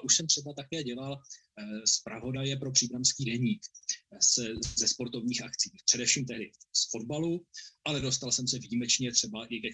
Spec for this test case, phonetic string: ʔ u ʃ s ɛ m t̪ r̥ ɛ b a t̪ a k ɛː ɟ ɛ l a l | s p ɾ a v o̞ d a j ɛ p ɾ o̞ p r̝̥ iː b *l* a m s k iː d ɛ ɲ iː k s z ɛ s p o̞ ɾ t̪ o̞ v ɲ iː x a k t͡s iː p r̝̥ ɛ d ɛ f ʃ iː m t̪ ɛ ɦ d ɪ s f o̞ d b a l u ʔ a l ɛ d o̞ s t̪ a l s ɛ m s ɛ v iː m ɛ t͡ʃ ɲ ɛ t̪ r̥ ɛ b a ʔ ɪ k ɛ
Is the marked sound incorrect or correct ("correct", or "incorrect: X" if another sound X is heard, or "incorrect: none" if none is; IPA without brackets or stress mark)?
incorrect: ɾ